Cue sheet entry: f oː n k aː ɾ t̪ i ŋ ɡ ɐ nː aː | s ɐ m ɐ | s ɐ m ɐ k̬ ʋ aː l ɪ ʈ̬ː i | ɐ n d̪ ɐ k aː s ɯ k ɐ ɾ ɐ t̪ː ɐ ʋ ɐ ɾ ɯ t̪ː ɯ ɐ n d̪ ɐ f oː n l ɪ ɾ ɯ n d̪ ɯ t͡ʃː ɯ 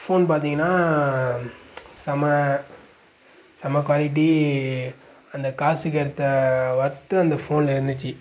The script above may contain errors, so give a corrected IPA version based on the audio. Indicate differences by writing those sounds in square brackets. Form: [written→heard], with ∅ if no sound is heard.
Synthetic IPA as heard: f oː n [k→p] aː ɾ t̪ i ŋ ɡ ɐ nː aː | s ɐ m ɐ | s ɐ m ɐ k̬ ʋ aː l ɪ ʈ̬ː i | ɐ n d̪ ɐ k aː s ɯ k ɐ ɾ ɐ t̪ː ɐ ʋ ɐ ɾ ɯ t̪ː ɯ ɐ n d̪ ɐ f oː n l ɪ ɾ ɯ n d̪ ɯ t͡ʃː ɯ